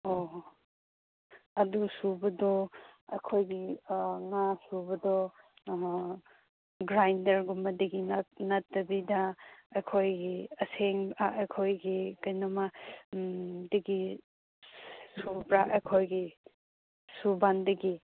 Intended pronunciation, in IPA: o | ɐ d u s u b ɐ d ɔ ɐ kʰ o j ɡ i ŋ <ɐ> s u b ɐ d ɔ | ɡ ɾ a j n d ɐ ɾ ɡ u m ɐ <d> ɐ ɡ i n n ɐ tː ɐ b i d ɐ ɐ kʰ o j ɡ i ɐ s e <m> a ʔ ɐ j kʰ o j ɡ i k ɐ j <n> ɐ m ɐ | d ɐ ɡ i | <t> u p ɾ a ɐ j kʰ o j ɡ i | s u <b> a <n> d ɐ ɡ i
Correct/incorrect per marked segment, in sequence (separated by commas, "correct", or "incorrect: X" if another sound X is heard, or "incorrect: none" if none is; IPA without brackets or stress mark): incorrect: a, correct, incorrect: ŋ, correct, incorrect: s, correct, correct